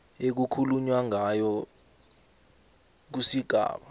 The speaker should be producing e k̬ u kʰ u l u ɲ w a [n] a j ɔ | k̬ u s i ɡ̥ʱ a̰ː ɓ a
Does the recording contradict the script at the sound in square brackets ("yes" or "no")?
yes